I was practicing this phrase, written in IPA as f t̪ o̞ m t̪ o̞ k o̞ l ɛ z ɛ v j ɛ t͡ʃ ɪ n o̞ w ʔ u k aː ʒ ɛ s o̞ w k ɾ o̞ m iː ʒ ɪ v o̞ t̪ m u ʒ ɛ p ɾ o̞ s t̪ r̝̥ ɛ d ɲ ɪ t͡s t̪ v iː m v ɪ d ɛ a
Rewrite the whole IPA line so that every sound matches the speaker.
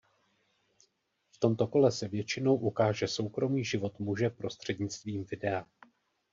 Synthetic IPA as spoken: f t̪ o̞ m t̪ o̞ k o̞ l ɛ s ɛ v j ɛ t͡ʃ ɪ n o̞ w ʔ u k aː ʒ ɛ s o̞ w k ɾ o̞ m iː ʒ ɪ v o̞ t̪ m u ʒ ɛ p ɾ o̞ s t̪ r̝̥ ɛ d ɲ ɪ t͡s t̪ v iː m v ɪ d ɛ a